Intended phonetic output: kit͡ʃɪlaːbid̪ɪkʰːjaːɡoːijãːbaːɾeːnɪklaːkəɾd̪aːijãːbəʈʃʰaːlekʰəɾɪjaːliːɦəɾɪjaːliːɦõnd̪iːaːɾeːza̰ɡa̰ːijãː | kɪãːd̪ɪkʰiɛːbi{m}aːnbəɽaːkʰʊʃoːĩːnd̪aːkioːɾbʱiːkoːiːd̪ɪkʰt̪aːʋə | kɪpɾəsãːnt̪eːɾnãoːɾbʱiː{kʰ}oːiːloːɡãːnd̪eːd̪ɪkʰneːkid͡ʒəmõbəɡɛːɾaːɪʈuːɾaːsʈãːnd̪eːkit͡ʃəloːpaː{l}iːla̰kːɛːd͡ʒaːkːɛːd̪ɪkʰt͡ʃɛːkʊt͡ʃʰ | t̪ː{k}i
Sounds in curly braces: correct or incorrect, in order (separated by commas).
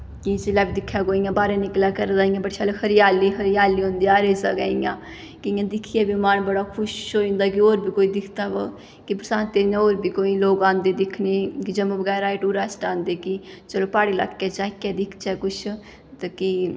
correct, incorrect, incorrect, correct